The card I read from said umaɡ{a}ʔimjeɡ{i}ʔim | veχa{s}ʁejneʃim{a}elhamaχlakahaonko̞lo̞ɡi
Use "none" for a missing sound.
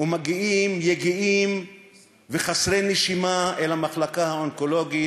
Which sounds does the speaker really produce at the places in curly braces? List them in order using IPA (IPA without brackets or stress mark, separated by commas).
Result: i, i, s, a